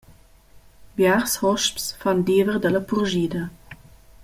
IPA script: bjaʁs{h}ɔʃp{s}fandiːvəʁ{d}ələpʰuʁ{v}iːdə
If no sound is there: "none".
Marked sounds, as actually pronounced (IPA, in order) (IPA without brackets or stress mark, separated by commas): h, s, d, ʒ